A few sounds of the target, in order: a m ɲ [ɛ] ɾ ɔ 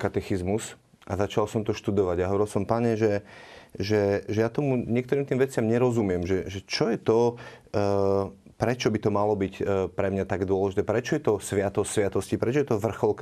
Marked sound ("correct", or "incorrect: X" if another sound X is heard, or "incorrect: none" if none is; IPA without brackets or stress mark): correct